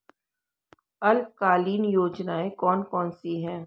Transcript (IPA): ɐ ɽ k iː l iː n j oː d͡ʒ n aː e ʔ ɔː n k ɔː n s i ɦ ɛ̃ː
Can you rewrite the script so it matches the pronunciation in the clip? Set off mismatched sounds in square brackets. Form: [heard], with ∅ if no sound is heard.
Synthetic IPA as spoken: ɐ [l] k [aː] l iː n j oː d͡ʒ n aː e [k] ɔː n k ɔː n s i ɦ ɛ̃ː